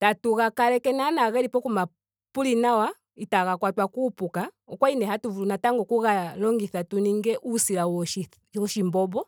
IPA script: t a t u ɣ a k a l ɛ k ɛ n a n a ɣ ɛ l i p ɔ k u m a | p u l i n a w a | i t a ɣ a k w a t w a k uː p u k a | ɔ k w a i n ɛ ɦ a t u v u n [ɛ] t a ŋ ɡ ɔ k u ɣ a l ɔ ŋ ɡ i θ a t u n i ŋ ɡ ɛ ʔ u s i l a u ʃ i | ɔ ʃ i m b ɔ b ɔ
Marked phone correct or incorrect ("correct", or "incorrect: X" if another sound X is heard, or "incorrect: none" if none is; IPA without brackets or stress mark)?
incorrect: a